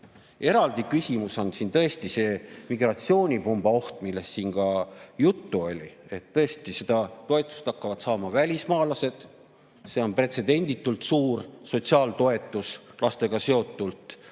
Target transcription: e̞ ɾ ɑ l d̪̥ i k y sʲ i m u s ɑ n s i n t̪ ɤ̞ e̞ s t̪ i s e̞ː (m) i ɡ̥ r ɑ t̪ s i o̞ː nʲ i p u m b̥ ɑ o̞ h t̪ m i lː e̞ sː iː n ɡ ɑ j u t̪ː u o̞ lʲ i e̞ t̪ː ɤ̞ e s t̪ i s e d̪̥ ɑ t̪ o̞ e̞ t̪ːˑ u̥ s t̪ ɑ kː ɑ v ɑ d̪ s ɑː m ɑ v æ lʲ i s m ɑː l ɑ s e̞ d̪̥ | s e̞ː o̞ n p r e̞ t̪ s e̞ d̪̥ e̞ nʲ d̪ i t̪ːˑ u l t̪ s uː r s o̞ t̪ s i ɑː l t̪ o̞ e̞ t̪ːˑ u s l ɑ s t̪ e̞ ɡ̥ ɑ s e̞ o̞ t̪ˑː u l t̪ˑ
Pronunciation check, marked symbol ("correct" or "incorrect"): correct